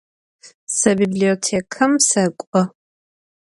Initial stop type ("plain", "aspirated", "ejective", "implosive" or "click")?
plain